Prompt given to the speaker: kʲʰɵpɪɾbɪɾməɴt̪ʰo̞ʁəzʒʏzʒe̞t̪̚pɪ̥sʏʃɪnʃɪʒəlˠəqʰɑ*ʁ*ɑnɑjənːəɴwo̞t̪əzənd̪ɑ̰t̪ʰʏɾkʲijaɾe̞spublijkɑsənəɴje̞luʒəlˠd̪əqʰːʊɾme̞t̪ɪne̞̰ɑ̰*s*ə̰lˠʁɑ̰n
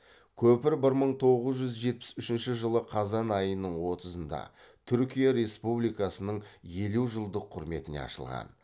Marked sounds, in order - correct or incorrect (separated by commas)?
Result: incorrect, incorrect